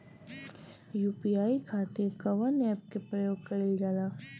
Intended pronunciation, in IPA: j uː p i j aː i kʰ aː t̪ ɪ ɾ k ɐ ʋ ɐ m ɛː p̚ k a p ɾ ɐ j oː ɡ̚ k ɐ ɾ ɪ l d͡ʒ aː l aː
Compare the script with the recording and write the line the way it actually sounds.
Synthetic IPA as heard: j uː p i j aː i kʰ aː t̪ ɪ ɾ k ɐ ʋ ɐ n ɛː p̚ k e p ɾ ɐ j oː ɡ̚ k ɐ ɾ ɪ l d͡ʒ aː l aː